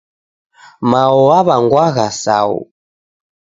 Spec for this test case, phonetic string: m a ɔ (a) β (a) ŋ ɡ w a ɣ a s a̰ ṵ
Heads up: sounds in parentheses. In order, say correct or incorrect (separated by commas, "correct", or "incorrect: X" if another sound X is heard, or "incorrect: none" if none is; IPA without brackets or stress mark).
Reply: correct, correct